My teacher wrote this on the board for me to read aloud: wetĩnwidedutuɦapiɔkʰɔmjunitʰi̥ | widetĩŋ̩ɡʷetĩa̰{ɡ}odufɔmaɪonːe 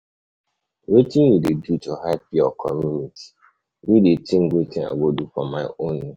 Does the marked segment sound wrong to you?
no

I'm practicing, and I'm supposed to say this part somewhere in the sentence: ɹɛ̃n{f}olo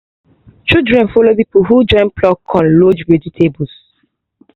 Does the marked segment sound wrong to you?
no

